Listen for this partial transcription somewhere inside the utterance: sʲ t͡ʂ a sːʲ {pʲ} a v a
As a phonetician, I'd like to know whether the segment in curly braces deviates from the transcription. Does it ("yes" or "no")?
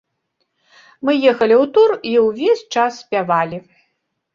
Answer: no